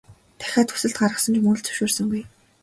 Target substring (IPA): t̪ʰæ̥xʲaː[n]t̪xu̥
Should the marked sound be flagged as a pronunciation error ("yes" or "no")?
yes